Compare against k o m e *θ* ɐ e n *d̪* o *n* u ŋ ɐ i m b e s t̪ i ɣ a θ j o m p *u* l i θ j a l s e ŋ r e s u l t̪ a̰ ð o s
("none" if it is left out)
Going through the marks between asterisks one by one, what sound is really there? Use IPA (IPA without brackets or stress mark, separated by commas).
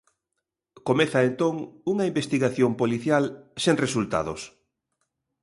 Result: θ, t̪, ŋ, o